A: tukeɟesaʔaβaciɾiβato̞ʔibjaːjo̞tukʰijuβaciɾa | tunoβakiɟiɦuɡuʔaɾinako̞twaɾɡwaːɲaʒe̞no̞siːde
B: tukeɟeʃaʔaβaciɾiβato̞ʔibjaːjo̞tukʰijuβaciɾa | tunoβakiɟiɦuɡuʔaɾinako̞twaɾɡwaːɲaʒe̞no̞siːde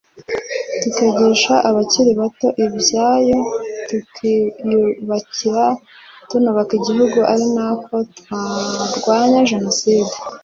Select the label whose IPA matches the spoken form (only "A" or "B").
B